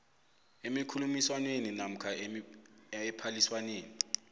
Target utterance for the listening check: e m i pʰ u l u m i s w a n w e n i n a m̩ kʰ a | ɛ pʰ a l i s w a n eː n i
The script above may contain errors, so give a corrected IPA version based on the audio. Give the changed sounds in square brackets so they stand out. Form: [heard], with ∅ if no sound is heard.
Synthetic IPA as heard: e m i [kʰ] u l u m i s w a n w e n i n a m̩ kʰ a | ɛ pʰ a l i s w a n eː n i